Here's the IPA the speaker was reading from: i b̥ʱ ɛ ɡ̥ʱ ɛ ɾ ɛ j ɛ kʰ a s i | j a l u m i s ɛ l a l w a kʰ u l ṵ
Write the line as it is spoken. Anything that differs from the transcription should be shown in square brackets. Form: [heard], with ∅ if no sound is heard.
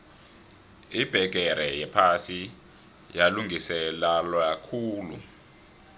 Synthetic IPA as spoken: i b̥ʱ ɛ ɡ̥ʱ ɛ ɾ ɛ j ɛ [pʰ] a s i | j a l u [ŋ] i s ɛ l a l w a kʰ [uː] l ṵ